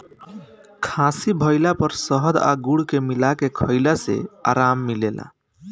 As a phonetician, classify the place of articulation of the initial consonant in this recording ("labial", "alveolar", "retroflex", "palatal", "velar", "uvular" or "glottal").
velar